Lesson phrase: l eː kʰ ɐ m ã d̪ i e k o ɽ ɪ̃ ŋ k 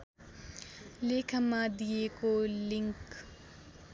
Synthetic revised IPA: l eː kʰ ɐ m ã d̪ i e k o l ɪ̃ ŋ k